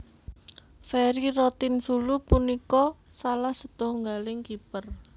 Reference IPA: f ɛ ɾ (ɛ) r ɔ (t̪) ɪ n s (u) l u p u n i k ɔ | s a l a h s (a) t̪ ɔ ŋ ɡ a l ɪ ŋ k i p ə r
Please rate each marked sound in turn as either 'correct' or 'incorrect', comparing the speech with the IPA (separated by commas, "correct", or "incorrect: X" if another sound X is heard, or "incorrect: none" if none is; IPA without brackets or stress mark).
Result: incorrect: i, correct, correct, incorrect: ə